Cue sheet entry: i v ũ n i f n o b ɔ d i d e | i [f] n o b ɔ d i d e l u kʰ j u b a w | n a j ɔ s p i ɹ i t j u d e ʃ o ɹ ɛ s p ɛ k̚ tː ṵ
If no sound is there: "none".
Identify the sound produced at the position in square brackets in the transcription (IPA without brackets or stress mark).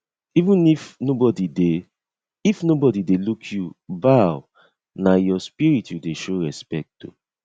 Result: f